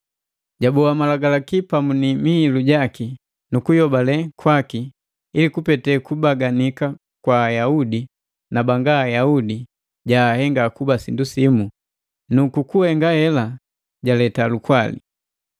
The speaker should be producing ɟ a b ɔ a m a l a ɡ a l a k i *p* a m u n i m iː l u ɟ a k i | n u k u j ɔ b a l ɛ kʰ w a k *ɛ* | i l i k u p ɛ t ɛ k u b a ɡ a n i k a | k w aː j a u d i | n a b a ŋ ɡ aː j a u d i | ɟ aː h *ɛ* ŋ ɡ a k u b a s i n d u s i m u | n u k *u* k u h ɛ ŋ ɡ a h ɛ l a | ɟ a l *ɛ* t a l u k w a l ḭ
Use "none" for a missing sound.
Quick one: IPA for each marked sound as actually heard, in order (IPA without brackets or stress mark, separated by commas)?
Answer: p, i, ɛ, u, ɛ